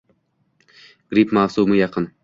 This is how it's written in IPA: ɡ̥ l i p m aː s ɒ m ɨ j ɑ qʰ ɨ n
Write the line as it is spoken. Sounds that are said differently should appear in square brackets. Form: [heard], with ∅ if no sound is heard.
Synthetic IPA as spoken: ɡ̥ [ɾ] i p m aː s [u] m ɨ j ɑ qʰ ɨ n